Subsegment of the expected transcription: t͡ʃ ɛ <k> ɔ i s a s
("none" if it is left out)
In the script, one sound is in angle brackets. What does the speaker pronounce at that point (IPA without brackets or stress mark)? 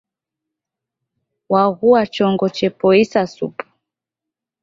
p